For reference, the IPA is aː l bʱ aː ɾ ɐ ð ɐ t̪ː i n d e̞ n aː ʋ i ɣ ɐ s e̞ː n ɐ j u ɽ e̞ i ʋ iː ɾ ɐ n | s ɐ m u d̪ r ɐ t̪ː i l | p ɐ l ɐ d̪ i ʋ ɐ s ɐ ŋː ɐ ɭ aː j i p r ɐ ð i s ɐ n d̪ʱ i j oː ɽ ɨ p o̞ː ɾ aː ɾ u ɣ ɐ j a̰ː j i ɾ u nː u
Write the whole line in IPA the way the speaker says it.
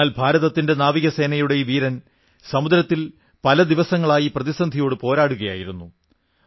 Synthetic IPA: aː l bʱ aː ɾ ɐ ð ɐ t̪ː i n d e̞ n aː ʋ i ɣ ɐ s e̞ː n ɐ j u ɽ e̞ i ʋ iː ɾ ɐ n | s ɐ m u d̪ ɾ ɐ t̪ː i l | p ɐ l ɐ d̪ i ʋ ɐ s ɐ ŋː ɐ ɭ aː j i p r ɐ ð i s ɐ n d̪ʱ i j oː ɽ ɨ p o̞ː ɾ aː ɽ u ɣ ɐ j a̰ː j i ɾ u nː u